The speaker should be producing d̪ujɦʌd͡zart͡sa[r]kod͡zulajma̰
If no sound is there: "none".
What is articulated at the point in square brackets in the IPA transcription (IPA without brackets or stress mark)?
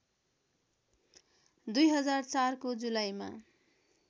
r